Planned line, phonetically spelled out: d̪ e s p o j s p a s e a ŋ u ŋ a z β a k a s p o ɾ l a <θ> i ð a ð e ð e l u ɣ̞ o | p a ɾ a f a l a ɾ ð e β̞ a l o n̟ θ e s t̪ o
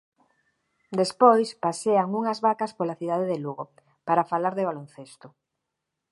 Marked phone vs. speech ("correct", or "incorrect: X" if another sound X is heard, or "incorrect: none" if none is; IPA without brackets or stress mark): correct